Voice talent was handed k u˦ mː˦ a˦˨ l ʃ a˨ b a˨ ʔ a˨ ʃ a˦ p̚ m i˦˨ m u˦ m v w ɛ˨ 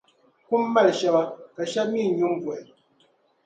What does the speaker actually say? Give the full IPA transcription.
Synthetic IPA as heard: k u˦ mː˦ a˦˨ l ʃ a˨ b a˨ k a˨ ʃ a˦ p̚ m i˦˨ ɲ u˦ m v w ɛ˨

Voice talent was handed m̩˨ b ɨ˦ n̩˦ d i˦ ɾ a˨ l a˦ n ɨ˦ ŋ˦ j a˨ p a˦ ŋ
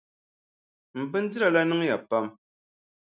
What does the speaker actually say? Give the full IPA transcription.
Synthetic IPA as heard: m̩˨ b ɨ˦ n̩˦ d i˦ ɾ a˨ l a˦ n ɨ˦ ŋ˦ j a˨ p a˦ m

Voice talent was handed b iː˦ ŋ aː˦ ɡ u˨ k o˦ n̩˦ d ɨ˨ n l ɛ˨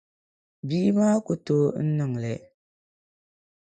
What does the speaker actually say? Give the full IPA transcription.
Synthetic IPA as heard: b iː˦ m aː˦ k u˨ t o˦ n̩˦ n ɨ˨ ŋ l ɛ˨

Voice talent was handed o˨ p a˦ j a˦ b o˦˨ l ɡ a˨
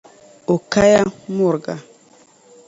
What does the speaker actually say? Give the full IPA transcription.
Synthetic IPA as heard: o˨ k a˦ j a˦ m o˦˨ ɾ ɡ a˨

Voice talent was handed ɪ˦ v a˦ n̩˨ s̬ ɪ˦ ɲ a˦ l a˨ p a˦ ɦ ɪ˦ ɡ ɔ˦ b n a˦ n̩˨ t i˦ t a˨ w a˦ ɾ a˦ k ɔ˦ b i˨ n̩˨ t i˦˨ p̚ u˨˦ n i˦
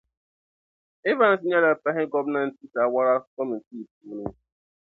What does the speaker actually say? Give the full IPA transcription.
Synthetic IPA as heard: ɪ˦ v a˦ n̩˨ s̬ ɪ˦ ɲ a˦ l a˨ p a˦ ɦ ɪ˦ ɡ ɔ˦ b n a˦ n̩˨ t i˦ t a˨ w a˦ ɾ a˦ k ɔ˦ m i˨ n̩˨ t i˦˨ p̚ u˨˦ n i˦

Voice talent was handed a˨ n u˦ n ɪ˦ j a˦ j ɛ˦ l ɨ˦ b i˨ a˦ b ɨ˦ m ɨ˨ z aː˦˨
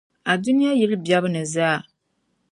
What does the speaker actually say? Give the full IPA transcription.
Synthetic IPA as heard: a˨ d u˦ n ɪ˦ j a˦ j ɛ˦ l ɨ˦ b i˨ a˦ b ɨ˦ n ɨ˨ z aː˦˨

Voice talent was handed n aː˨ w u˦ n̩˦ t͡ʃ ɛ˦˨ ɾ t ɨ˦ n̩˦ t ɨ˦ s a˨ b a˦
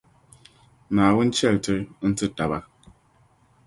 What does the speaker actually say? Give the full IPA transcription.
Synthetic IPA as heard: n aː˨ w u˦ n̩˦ t͡ʃ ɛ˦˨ l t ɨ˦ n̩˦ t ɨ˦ t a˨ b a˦

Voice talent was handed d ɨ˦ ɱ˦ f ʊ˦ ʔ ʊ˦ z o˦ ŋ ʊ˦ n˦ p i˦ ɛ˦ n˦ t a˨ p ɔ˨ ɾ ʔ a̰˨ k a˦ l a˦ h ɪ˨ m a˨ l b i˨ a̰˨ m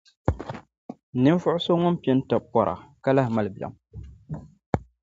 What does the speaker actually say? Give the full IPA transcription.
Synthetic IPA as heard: n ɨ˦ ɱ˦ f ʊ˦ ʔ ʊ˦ s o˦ ŋ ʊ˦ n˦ p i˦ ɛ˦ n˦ t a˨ p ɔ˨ ɾ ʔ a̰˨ k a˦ l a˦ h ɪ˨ m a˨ l b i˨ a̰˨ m

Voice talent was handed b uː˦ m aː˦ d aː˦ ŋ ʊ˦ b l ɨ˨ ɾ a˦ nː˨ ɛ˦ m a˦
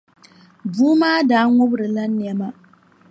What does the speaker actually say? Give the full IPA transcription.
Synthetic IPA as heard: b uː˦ m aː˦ d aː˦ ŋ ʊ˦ b ɾ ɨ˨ l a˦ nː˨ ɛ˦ m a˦

